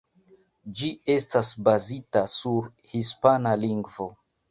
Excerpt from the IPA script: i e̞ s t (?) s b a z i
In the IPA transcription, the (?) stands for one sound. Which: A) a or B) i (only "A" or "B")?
A